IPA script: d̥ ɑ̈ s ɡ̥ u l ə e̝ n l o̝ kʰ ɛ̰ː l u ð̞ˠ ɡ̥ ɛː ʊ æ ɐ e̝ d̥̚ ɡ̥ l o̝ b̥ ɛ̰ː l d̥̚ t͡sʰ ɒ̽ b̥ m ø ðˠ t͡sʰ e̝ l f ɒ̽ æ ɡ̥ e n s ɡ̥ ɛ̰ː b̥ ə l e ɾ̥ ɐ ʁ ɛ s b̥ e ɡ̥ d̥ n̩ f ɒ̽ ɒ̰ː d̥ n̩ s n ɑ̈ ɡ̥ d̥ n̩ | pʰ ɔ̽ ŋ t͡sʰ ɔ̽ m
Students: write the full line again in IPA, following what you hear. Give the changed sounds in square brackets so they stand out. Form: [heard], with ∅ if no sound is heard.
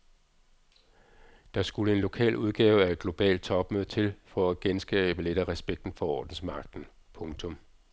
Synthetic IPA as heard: d̥ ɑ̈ s ɡ̥ u l ə e̝ n l o̝ kʰ ɛ̰ː l u ð̞ˠ ɡ̥ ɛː ʊ æ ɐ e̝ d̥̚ ɡ̥ l o̝ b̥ ɛ̰ː l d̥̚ t͡sʰ ɒ̽ b̥ m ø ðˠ t͡sʰ e̝ l f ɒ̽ æ ɡ̥ e n s ɡ̥ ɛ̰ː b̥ ə l e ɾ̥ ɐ ʁ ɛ s b̥ e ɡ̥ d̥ n̩ f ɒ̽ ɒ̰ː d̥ n̩ s [m] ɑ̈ ɡ̥ d̥ n̩ | pʰ ɔ̽ ŋ t͡sʰ ɔ̽ m